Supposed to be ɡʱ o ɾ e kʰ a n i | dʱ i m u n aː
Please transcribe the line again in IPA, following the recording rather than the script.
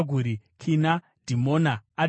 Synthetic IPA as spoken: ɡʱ u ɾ i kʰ i n a | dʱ i m o n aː